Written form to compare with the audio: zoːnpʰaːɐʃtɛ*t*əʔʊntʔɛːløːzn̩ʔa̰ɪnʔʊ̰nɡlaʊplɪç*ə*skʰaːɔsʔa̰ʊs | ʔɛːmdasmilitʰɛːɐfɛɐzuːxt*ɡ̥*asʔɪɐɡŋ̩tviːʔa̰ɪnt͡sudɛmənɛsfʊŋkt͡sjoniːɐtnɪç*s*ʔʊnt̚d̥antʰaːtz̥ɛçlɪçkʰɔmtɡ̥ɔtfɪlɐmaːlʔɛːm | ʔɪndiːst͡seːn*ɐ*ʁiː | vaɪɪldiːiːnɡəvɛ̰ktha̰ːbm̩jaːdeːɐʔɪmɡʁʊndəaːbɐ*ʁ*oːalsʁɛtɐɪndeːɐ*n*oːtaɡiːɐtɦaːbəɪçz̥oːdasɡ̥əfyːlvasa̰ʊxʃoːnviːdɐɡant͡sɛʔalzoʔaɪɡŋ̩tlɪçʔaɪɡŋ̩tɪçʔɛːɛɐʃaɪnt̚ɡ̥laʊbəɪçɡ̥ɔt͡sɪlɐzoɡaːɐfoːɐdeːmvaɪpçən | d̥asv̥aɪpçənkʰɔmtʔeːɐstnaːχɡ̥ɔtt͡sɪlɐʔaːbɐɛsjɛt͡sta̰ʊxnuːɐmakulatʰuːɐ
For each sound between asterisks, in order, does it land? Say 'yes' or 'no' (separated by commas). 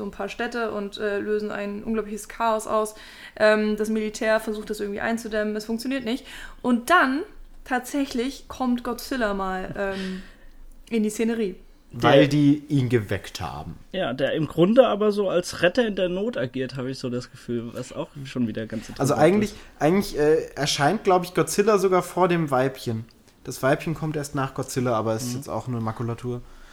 yes, yes, no, no, no, no, yes